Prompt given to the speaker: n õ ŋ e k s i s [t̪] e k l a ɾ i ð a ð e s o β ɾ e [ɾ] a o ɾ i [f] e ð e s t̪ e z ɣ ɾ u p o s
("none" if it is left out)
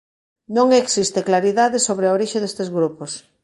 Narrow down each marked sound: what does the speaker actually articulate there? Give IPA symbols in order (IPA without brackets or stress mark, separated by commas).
t̪, none, ʃ